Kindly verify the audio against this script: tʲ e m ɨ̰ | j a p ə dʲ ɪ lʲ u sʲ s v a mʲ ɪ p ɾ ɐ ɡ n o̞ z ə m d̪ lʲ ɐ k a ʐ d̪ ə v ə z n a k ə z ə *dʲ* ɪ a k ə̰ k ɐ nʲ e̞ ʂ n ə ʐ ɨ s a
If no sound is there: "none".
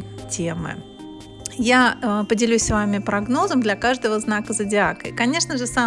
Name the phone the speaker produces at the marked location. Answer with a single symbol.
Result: dʲ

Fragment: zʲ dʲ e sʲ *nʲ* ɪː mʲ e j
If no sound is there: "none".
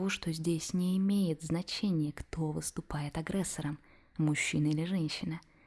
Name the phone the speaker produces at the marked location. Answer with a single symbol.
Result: nʲ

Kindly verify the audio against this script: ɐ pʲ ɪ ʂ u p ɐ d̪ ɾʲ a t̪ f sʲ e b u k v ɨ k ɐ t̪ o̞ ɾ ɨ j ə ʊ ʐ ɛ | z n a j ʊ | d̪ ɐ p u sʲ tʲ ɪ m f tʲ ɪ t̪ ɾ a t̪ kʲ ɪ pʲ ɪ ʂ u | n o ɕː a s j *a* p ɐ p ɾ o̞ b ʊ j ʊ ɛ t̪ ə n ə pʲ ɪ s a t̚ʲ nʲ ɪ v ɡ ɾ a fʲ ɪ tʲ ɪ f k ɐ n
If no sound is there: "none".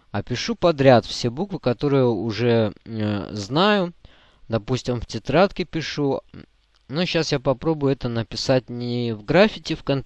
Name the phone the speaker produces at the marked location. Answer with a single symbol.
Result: a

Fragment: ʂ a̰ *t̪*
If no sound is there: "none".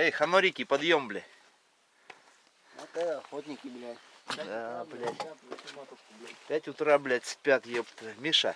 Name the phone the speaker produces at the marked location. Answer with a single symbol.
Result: none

